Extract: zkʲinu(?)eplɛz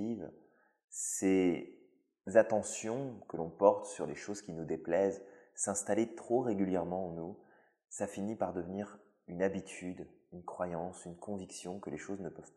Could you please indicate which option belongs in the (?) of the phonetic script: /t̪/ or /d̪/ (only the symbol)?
d̪